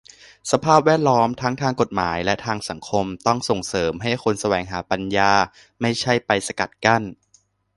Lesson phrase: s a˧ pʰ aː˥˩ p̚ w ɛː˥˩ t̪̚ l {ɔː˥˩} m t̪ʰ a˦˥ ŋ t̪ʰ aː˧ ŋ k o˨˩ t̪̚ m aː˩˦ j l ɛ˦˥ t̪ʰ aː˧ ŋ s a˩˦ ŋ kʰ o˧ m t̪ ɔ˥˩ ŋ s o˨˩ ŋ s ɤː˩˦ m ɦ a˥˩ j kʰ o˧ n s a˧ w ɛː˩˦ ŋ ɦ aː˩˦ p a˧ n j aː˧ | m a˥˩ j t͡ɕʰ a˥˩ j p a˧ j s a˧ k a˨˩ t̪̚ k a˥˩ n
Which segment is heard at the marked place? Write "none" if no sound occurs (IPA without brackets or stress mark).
ɔː˦˥